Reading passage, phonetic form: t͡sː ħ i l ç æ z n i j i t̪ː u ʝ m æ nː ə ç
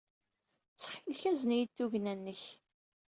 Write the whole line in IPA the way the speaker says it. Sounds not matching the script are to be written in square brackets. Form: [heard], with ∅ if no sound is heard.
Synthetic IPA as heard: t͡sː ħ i l ç æ z n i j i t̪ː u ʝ [n] æ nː ə ç